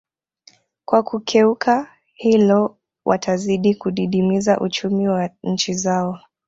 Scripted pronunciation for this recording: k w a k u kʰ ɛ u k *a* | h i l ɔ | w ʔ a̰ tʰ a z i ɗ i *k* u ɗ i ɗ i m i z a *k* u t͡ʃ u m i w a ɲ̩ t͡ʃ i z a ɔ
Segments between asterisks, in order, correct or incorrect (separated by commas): correct, correct, incorrect